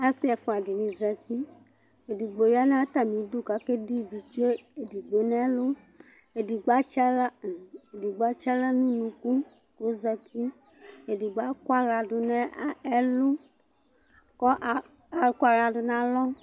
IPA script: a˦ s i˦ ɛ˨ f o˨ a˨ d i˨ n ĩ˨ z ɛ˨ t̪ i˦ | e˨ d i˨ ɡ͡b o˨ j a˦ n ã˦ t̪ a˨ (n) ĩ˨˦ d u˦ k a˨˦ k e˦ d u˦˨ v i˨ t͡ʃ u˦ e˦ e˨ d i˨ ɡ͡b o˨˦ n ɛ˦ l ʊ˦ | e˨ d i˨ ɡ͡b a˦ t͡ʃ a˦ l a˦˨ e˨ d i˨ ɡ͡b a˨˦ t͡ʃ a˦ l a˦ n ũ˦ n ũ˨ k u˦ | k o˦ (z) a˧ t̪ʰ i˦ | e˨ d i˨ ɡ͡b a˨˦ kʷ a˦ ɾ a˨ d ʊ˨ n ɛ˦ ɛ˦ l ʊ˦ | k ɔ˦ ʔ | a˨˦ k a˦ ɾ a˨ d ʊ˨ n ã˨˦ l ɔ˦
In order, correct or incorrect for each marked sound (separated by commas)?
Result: incorrect, correct